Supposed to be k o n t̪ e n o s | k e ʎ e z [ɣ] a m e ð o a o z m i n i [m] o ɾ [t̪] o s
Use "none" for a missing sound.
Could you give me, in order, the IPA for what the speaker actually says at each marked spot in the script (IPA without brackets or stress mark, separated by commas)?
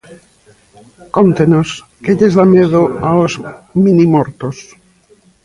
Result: ð, m, t̪